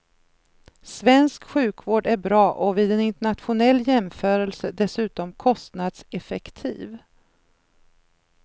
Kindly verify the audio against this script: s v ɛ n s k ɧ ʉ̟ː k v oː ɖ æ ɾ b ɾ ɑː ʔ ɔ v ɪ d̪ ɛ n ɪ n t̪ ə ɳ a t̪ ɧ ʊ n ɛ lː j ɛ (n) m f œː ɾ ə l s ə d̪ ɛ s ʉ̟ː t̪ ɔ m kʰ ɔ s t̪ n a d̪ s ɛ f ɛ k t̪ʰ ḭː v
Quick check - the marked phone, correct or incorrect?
incorrect